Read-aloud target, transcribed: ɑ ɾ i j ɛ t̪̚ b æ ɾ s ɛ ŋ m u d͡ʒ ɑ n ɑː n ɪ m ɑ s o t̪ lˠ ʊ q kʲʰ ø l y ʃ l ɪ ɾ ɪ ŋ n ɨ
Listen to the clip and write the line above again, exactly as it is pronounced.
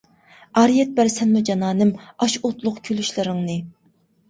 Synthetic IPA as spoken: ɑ ɾ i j ɛ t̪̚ b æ ɾ s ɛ n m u d͡ʒ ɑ n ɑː n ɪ m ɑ ʃ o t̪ lˠ ʊ q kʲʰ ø l y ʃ l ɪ ɾ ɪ ŋ n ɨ